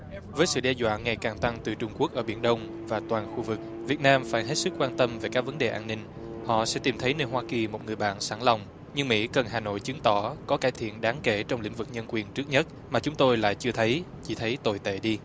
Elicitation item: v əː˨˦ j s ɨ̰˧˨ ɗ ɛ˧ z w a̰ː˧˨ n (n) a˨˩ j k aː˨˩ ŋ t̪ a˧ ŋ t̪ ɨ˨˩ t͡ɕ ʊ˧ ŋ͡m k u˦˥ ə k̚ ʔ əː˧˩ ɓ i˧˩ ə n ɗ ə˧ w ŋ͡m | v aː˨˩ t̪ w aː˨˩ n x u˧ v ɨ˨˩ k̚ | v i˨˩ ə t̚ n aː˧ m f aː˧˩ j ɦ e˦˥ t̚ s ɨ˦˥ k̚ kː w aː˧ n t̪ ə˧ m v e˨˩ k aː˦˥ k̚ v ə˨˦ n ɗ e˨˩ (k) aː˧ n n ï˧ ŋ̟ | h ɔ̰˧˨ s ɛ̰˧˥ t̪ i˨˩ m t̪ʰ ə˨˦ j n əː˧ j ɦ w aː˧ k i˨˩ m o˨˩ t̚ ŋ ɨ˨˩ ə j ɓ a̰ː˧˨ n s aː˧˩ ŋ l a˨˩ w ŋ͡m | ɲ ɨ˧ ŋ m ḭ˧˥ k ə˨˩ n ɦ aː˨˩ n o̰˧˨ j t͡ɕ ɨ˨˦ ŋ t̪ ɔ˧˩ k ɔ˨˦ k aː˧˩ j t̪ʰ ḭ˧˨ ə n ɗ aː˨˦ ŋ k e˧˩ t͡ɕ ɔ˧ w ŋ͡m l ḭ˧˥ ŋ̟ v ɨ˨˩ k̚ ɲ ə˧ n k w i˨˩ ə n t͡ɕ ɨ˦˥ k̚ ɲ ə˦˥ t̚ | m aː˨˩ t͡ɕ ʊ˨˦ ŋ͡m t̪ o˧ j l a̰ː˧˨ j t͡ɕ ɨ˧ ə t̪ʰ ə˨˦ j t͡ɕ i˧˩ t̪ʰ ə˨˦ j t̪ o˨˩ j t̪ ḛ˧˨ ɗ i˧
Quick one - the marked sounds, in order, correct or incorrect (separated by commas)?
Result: incorrect, incorrect